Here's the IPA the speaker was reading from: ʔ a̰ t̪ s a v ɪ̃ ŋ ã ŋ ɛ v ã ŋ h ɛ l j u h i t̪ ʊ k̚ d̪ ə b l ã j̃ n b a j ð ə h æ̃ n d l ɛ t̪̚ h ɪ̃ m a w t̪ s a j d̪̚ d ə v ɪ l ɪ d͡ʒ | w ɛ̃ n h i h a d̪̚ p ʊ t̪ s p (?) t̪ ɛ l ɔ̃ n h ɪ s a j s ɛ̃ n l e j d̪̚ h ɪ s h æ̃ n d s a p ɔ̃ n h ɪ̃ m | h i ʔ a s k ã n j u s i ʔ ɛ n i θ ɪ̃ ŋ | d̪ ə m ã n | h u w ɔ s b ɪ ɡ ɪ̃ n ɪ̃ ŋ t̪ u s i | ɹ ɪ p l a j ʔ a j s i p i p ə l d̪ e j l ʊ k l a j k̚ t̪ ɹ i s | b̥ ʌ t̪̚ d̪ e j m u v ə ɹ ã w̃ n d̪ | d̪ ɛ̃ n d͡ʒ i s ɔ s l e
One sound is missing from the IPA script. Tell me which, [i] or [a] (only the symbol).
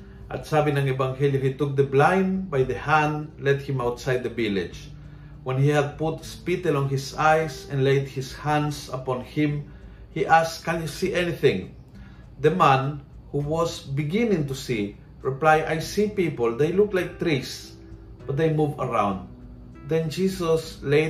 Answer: i